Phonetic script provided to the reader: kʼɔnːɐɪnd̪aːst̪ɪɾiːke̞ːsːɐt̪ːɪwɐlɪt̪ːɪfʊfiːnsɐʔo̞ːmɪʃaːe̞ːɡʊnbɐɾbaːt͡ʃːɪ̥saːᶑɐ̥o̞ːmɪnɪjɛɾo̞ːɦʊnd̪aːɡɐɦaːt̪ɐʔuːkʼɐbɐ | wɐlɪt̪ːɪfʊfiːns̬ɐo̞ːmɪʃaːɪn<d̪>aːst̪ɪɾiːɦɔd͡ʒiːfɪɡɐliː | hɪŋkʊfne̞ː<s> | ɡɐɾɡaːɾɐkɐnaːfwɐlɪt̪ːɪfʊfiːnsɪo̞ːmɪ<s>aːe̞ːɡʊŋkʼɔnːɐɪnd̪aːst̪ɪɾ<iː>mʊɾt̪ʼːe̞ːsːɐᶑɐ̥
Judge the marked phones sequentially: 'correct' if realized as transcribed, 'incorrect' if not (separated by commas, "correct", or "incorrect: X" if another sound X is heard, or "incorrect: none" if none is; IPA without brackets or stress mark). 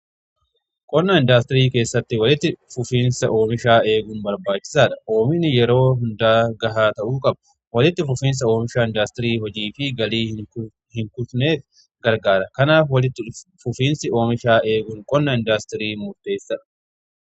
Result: correct, incorrect: f, incorrect: ʃ, correct